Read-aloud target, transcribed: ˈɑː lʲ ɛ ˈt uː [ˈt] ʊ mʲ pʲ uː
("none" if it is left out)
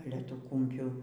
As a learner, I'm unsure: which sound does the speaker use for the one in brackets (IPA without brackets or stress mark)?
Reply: k